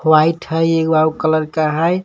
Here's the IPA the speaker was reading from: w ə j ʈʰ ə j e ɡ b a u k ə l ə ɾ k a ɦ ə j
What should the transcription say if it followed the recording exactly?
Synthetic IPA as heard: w a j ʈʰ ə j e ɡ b a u k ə l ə ɾ k a ɦ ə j